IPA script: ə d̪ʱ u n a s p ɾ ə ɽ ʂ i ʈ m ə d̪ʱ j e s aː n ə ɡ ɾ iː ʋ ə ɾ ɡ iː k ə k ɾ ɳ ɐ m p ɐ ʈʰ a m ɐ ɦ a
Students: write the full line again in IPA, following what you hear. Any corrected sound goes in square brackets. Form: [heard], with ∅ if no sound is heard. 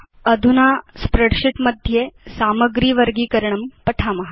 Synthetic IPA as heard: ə d̪ʱ u n a s p ɾ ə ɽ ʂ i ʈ m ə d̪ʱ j e s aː [m] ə ɡ ɾ iː ʋ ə ɾ ɡ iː k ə [∅] ɾ ɳ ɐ m p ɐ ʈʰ a m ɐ ɦ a